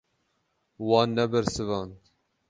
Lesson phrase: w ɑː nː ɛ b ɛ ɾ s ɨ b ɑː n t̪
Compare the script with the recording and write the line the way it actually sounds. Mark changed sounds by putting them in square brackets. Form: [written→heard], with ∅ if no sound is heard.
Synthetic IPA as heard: w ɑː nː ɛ b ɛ ɾ s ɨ [b→v] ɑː n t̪